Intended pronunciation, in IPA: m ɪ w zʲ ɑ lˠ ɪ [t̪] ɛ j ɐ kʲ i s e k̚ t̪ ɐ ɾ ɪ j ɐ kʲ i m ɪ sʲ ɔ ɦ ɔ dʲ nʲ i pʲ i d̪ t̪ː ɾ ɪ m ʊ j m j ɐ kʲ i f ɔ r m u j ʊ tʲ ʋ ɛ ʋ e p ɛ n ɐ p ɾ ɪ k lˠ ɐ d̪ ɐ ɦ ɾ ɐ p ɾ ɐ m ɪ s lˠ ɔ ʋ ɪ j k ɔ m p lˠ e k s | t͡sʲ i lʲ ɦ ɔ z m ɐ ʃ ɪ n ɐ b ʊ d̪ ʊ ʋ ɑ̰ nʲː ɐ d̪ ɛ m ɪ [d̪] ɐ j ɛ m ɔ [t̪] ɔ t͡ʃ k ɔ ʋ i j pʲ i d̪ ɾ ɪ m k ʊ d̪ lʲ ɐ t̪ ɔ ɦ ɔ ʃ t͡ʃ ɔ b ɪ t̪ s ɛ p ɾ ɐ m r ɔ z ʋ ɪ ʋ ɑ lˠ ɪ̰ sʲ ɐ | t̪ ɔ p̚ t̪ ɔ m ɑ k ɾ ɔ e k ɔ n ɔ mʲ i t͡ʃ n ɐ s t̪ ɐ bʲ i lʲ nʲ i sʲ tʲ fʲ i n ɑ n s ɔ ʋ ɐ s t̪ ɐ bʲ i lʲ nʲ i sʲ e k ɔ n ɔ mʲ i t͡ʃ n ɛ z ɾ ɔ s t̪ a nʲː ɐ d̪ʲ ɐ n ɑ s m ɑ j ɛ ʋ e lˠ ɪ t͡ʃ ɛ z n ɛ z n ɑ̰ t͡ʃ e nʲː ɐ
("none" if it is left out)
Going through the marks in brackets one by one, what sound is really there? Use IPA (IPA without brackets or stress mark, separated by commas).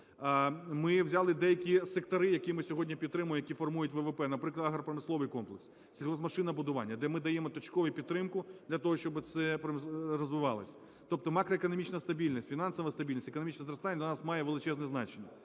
d̪, d̪, t̪